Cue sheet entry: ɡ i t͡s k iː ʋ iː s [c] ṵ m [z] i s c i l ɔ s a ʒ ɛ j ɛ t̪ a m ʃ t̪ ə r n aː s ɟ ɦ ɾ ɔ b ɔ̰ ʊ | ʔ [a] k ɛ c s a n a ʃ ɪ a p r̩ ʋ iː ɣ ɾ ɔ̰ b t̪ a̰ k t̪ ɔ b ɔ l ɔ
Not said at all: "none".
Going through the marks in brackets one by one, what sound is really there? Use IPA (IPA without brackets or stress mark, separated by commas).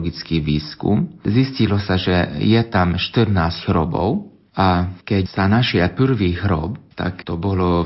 k, z, a